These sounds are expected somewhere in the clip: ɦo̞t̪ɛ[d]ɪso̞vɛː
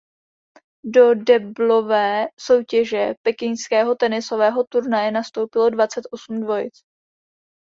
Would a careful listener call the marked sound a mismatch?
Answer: yes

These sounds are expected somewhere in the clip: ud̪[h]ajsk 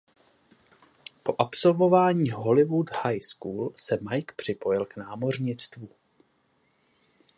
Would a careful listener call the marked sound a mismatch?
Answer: no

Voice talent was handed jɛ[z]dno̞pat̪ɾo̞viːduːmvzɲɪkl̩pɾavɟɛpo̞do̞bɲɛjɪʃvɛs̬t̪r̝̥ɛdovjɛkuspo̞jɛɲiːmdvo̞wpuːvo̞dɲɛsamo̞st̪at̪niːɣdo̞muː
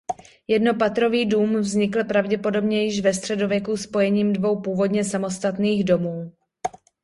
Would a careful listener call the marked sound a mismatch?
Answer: yes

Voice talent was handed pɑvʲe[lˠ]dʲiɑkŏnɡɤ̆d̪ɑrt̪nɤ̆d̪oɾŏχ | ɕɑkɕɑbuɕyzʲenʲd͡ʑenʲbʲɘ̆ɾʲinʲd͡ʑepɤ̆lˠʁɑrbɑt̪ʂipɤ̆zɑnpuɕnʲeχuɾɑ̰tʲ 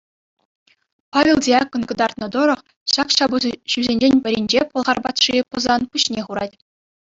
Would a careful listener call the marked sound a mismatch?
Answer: no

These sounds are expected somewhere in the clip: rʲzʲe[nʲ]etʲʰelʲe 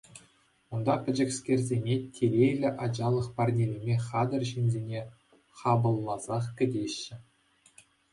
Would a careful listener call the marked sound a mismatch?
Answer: no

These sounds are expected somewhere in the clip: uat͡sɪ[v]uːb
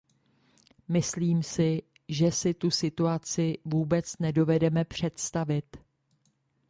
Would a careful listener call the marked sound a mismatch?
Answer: no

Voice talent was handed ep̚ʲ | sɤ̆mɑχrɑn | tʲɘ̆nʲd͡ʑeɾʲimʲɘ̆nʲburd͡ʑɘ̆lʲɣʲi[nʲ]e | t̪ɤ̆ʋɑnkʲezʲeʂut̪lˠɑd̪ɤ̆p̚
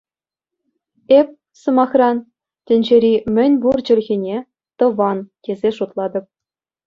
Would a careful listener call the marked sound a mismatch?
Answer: no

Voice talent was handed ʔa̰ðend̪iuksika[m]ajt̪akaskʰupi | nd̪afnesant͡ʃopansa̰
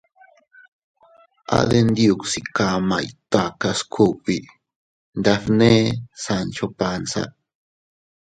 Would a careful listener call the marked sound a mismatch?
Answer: no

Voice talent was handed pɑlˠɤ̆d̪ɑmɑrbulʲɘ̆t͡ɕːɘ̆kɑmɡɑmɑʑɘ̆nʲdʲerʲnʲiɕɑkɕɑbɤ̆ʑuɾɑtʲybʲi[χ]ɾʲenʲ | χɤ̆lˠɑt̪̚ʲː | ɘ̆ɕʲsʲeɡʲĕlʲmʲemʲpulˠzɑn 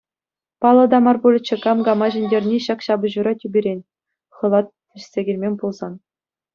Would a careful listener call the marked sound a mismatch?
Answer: yes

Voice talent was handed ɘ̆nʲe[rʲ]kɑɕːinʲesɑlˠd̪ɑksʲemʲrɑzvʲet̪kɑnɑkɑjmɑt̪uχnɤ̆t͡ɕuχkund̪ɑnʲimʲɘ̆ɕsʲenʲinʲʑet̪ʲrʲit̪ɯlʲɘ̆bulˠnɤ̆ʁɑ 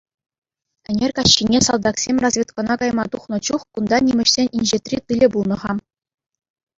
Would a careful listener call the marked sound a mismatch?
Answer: no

